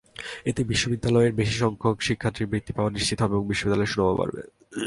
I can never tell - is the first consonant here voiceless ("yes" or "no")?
yes